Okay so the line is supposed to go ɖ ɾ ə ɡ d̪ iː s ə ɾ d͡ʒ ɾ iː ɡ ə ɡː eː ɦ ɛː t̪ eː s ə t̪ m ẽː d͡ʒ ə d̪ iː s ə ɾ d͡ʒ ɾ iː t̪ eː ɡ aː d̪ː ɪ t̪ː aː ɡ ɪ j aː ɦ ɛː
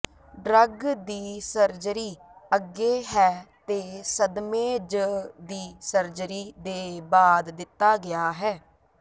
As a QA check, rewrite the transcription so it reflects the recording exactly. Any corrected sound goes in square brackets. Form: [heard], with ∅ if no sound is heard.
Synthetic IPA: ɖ ɾ ə ɡ d̪ iː s ə ɾ d͡ʒ ɾ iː [∅] ə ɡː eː ɦ ɛː t̪ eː s ə [d̪] m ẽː d͡ʒ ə d̪ iː s ə ɾ d͡ʒ ɾ iː [d̪] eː [b] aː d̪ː ɪ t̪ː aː ɡ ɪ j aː ɦ ɛː